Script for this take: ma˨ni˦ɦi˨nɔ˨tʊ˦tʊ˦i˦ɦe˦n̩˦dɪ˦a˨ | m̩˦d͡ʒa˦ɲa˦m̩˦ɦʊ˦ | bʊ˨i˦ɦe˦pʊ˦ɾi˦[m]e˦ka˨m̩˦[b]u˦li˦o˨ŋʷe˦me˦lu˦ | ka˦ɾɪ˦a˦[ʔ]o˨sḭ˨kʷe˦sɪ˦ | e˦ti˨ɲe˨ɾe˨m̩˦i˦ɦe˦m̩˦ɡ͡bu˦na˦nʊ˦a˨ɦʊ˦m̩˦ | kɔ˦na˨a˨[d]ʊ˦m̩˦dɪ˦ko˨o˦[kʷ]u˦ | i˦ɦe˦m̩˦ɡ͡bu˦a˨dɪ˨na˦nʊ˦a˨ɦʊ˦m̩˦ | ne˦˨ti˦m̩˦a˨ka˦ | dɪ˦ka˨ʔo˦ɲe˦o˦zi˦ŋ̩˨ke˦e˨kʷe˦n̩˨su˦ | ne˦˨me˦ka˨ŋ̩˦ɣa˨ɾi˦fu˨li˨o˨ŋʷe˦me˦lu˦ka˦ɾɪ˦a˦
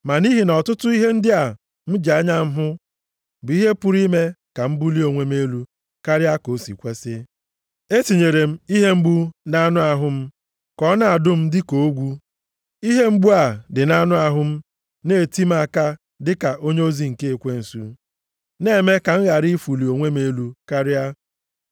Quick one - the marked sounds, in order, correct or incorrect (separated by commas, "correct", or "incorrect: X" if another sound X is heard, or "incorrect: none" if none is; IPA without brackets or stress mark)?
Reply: correct, correct, incorrect: k, correct, incorrect: ɡʷ